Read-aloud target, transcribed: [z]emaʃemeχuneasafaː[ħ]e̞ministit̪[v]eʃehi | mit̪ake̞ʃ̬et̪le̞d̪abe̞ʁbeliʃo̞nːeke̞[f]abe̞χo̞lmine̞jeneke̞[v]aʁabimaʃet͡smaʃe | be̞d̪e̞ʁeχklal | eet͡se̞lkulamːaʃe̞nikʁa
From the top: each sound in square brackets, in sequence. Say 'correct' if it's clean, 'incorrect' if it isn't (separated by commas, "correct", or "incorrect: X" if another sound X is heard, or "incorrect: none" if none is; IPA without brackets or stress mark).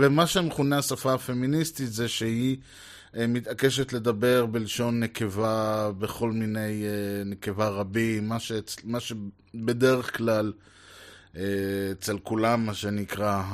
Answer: incorrect: v, incorrect: f, incorrect: z, incorrect: v, correct